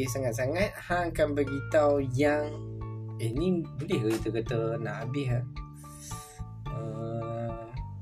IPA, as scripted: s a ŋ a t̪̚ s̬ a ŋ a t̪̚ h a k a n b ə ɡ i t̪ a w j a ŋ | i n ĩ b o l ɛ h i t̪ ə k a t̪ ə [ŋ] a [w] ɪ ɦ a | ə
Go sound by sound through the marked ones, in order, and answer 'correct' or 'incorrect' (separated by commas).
incorrect, incorrect